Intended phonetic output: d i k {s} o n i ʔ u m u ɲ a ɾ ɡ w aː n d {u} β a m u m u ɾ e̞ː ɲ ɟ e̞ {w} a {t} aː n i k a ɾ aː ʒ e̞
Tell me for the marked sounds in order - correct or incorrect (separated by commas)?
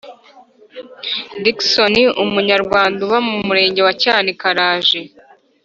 correct, correct, correct, incorrect